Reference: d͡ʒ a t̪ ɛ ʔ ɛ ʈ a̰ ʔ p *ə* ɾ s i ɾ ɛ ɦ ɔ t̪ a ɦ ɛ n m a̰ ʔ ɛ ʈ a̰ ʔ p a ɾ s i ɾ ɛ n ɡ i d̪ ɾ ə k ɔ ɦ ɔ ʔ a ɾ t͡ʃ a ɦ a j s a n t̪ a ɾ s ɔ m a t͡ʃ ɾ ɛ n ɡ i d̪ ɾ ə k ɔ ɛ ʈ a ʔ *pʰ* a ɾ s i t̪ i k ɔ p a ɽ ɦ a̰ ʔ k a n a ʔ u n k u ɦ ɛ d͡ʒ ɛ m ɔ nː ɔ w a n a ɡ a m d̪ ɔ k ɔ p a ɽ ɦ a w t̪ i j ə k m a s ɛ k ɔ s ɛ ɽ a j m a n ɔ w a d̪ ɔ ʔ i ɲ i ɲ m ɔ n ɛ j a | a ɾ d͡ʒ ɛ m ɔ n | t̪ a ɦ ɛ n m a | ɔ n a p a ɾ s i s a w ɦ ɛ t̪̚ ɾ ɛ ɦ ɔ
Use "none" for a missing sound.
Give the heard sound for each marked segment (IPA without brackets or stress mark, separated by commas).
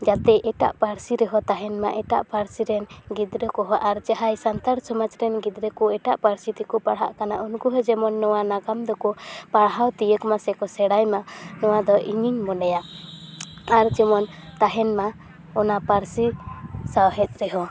a, p